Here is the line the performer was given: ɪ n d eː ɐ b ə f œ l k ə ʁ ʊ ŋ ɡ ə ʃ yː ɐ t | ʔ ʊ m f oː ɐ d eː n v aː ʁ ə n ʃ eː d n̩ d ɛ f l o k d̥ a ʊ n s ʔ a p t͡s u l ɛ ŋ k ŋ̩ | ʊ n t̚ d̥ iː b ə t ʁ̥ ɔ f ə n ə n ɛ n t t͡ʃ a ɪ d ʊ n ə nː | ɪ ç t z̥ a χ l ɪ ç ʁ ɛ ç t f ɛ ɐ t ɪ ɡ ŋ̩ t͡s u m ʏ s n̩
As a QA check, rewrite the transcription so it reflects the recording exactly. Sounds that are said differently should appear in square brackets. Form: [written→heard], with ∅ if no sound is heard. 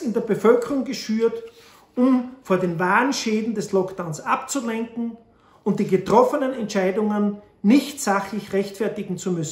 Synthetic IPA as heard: ɪ n d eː ɐ b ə f œ l k ə ʁ ʊ ŋ ɡ ə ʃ yː ɐ t | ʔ ʊ m f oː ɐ d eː n v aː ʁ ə n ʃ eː d n̩ d ɛ [f→s] l [o→ɔ] k d̥ a ʊ n s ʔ a p t͡s u l ɛ ŋ k ŋ̩ | ʊ n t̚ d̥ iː [b→ɡ] ə t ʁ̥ ɔ f ə n ə n ɛ n t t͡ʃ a ɪ d ʊ [n→ŋ] ə nː | ɪ ç t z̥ a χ l ɪ ç ʁ ɛ ç t f ɛ ɐ t ɪ ɡ ŋ̩ t͡s u m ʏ s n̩